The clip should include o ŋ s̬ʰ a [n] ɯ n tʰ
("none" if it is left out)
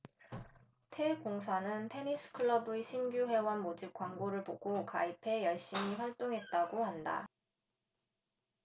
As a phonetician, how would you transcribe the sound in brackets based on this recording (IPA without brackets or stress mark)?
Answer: n